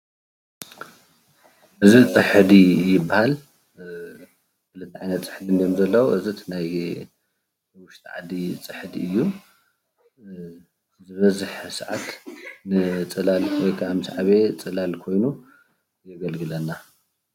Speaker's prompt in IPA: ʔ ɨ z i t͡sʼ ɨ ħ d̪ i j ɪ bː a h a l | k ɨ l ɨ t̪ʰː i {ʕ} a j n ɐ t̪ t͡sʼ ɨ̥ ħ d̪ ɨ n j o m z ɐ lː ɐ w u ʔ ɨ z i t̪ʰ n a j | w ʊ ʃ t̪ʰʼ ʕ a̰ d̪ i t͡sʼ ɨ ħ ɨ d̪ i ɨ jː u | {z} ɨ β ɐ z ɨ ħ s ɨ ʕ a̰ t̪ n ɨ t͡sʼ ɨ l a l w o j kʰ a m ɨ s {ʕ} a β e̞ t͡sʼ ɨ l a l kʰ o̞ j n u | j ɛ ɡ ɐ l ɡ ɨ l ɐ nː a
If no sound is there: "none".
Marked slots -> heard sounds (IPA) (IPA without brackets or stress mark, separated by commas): ʕ, z, ʕ